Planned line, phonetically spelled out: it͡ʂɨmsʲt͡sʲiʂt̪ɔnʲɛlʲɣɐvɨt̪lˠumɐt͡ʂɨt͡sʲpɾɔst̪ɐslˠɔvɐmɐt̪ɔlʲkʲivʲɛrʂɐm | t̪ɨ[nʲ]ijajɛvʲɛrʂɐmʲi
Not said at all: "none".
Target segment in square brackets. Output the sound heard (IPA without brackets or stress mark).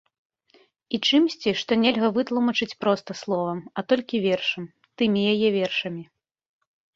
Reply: mʲ